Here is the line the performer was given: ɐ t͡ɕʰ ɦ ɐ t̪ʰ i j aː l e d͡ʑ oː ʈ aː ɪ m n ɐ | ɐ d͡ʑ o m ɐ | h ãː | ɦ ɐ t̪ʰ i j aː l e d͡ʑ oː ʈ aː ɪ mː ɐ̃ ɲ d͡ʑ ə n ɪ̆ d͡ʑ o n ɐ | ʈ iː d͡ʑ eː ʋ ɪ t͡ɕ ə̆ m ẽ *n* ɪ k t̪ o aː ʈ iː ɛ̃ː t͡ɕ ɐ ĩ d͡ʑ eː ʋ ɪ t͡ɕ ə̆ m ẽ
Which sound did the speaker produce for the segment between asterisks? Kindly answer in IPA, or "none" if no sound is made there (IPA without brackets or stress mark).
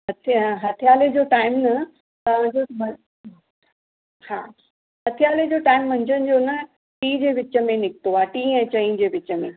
n